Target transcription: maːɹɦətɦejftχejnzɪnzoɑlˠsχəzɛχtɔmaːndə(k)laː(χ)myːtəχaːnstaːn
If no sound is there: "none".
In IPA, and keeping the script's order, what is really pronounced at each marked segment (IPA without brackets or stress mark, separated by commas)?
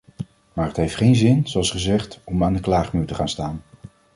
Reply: k, χ